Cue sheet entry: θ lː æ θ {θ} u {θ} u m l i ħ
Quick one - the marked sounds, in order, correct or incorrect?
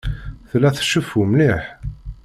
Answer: incorrect: ʃ, incorrect: f

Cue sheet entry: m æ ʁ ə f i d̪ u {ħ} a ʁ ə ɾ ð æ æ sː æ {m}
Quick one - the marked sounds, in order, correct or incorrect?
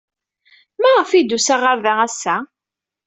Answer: incorrect: s, incorrect: none

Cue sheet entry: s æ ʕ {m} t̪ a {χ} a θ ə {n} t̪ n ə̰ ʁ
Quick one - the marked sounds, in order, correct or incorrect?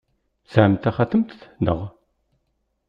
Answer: correct, correct, incorrect: m

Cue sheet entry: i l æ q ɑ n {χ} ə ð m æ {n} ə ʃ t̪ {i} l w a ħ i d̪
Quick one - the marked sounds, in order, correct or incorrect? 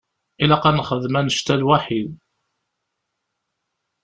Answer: correct, correct, incorrect: æ

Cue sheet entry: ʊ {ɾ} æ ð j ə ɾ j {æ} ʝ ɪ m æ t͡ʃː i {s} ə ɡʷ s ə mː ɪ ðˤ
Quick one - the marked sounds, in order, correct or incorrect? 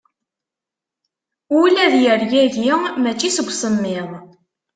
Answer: incorrect: l, correct, correct

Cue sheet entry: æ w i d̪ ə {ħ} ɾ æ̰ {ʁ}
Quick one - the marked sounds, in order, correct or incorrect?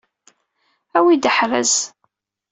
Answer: correct, incorrect: z

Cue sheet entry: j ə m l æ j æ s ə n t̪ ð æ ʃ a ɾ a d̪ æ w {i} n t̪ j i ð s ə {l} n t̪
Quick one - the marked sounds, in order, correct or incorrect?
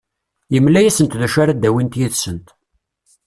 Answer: correct, incorrect: none

